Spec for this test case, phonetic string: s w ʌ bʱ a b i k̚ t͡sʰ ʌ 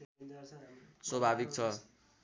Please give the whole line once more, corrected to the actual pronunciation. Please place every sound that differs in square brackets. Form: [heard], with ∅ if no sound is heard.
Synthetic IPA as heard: s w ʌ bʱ a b i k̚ t͡sʰ ʌ